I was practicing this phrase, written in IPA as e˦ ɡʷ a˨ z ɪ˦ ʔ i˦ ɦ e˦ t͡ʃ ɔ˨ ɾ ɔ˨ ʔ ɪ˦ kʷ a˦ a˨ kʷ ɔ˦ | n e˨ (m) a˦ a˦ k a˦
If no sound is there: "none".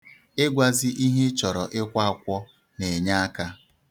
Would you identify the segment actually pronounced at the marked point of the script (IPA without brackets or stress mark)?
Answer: ɲ